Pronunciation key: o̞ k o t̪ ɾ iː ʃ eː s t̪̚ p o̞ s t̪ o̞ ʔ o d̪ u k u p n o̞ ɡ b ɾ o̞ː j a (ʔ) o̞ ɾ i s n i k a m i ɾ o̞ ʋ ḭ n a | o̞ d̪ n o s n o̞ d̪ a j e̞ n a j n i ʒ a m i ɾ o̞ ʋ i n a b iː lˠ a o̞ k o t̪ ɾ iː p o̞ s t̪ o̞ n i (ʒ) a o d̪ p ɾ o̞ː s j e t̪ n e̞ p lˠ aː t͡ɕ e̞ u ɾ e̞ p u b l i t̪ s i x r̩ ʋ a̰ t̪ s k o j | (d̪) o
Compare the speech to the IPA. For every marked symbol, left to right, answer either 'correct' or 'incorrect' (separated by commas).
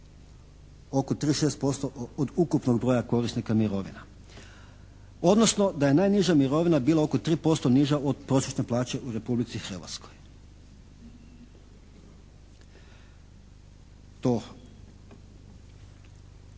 incorrect, correct, incorrect